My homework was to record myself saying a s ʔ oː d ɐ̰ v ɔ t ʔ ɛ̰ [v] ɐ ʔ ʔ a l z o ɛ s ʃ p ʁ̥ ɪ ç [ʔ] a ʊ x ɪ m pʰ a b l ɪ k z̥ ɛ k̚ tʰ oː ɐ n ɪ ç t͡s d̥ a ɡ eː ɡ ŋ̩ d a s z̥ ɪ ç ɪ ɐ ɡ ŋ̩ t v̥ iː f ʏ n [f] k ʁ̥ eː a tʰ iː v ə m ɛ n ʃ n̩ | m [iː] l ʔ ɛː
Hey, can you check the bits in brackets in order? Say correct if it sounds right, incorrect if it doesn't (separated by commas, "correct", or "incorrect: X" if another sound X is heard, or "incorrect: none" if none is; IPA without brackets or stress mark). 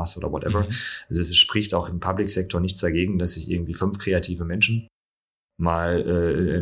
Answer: correct, incorrect: t, correct, incorrect: aː